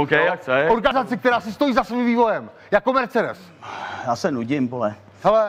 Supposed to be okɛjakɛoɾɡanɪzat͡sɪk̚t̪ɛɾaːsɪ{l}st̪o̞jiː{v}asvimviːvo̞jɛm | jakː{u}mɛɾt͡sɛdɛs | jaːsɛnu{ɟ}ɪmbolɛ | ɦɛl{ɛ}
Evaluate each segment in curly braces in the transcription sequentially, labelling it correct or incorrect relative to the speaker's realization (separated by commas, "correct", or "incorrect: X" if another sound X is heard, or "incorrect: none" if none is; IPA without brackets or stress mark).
incorrect: none, incorrect: z, incorrect: o, correct, correct